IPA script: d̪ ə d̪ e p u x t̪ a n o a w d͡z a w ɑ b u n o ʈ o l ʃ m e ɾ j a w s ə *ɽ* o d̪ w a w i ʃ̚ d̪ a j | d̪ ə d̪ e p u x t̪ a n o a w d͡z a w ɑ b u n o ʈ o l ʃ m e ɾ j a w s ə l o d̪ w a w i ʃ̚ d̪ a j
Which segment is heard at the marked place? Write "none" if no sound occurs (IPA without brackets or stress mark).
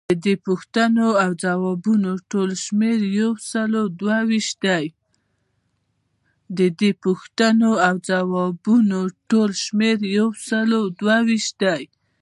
l